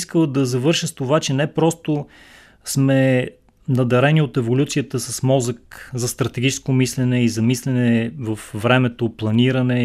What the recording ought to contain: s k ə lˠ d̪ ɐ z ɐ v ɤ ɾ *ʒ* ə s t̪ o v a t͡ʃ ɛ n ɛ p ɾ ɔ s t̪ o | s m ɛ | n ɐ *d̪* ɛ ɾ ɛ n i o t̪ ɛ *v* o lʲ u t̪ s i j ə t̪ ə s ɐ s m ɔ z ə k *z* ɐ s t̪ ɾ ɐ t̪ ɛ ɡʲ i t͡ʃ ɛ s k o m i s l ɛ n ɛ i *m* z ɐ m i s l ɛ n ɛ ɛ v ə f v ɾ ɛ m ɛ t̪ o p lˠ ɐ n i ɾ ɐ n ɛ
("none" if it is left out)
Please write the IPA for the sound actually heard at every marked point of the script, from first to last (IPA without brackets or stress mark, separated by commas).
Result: ʃ, d̪, v, z, none